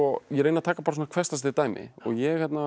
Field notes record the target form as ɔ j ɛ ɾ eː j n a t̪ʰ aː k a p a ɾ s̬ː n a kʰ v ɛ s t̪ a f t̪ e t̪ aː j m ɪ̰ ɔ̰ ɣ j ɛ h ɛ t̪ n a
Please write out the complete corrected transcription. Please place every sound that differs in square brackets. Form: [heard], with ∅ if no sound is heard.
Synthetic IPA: ɔ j ɛ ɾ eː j n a t̪ʰ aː k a p a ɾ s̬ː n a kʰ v ɛ s t̪ a [s] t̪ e t̪ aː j m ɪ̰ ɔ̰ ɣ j ɛ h ɛ t̪ n a